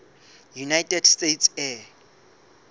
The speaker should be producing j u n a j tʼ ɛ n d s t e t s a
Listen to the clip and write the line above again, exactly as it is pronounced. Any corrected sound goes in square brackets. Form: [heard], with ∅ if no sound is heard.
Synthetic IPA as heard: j u n a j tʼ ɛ [∅] d s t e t s [ɛ]